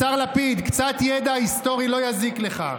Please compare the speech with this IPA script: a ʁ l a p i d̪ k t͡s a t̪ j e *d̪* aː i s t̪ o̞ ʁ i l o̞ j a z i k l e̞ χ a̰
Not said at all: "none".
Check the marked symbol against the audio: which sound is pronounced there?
d̪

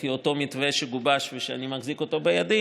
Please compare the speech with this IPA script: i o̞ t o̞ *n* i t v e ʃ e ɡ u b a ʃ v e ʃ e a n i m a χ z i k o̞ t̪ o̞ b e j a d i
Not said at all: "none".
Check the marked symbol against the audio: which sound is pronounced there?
m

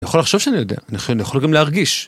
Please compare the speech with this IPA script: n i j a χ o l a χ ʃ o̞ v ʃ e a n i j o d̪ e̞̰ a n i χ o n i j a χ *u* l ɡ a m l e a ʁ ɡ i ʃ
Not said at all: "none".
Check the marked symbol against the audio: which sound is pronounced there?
o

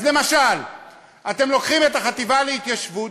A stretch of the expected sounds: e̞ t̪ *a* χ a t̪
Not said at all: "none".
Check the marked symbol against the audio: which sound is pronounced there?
a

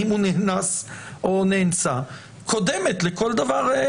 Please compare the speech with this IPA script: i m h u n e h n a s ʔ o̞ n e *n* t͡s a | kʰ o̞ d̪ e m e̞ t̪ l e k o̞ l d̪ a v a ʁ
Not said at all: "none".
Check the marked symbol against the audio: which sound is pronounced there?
n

